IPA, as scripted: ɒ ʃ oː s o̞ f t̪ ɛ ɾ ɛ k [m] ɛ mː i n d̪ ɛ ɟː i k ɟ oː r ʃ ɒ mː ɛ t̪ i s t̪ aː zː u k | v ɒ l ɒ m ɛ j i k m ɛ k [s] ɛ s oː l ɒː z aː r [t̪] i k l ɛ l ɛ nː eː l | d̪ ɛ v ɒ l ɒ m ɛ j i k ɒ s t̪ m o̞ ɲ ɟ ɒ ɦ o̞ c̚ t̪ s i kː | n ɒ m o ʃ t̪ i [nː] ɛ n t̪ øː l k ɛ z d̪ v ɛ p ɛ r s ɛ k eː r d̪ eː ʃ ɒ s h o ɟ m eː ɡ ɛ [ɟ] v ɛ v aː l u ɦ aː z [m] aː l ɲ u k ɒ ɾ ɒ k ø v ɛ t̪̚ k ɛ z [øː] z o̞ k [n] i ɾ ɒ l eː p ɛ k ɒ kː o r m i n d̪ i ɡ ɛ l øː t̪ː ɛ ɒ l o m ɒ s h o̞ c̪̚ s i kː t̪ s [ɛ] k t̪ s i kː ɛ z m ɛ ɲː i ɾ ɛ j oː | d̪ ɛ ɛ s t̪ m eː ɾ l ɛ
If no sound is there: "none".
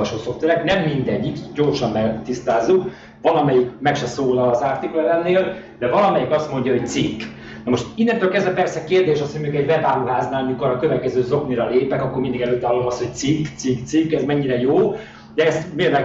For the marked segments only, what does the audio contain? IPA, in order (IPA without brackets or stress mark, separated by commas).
n, ʃ, t̪, nː, ɟ, n, øː, n, i